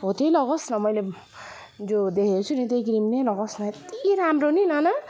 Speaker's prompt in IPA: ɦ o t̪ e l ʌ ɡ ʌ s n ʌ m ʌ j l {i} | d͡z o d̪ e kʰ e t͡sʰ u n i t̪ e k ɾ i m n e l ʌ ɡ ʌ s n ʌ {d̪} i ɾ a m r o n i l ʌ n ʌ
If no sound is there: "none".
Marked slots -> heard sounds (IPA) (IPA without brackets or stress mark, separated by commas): e, t̪